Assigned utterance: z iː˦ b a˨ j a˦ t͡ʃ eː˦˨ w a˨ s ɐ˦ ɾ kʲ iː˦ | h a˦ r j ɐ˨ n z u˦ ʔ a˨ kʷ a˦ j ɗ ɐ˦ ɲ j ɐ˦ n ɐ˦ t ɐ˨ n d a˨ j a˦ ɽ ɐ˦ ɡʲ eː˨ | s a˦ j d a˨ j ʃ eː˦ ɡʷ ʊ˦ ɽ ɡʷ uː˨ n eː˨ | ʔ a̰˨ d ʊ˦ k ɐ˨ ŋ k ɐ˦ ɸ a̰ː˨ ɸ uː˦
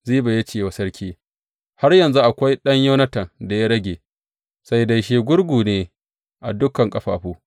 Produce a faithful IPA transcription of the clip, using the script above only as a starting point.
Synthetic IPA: z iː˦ b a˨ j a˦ t͡ʃ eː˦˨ w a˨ s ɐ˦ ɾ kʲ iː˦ | h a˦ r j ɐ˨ n z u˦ ʔ a˨ kʷ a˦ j ɗ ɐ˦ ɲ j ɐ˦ n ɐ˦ t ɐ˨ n d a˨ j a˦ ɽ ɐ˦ ɡʲ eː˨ | s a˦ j d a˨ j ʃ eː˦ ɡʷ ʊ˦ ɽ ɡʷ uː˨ n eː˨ | ʔ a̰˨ d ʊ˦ k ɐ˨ ŋ kʼ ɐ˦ ɸ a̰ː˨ ɸ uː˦